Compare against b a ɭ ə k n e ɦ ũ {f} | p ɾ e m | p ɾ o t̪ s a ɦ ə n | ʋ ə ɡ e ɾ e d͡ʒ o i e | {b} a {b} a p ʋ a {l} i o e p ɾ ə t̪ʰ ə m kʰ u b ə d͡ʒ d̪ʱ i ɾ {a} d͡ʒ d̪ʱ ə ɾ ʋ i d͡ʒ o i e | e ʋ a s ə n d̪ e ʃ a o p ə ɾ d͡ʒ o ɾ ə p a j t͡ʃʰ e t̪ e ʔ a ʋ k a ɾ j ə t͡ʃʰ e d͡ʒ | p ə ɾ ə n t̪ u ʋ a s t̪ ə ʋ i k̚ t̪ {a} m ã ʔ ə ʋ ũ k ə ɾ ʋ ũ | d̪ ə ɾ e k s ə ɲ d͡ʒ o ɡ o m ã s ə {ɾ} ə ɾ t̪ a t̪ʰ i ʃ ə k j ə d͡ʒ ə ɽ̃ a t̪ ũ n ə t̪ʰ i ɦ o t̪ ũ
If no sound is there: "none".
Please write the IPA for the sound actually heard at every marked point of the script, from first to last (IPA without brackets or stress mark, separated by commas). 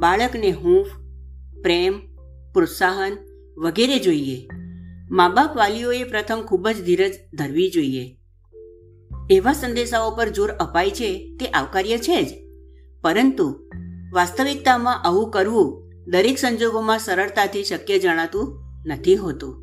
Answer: f, m, b, l, ə, a, ɾ